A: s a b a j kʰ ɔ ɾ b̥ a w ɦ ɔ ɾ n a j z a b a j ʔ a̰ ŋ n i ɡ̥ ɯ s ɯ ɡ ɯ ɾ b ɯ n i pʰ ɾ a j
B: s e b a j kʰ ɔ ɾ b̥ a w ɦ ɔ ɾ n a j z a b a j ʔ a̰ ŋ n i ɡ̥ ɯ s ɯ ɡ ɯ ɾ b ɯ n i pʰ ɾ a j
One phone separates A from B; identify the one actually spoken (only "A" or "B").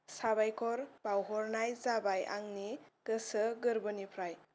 A